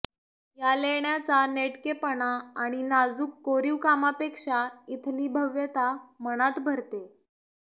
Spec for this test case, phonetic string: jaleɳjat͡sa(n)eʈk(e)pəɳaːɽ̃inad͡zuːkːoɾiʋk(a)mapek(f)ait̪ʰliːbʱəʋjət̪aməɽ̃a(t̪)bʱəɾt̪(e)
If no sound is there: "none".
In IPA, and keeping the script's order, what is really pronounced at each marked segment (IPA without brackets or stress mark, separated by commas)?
n, e, a, ʂ, t̪, e